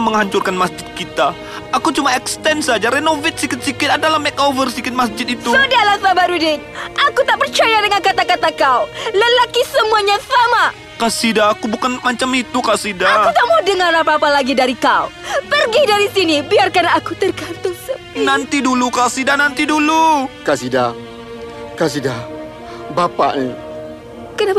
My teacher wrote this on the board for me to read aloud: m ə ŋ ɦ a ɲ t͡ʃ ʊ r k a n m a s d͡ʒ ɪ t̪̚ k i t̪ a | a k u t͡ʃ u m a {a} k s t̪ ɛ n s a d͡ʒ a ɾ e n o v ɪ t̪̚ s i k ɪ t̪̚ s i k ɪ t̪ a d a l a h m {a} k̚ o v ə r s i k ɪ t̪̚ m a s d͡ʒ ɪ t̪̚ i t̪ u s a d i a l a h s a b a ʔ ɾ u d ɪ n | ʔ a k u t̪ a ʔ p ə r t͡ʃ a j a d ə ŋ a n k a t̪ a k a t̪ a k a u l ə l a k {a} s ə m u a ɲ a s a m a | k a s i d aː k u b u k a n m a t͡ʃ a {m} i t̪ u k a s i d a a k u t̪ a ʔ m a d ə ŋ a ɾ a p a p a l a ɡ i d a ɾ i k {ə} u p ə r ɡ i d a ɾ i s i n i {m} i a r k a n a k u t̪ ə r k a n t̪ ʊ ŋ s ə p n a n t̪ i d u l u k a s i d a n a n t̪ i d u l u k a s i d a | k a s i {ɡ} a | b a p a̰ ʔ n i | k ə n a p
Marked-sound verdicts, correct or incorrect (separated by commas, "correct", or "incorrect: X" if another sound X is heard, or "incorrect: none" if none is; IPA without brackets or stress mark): incorrect: ɛ, incorrect: ɛ, incorrect: i, correct, incorrect: a, incorrect: b, incorrect: d